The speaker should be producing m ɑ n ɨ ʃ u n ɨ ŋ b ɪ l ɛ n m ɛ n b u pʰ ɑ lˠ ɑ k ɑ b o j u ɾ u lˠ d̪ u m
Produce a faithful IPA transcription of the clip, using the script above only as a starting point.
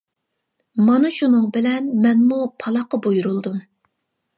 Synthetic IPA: m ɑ n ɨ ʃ u n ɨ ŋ b ɪ l ɛ n m ɛ n m u pʰ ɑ lˠ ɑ q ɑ b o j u ɾ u lˠ d̪ u m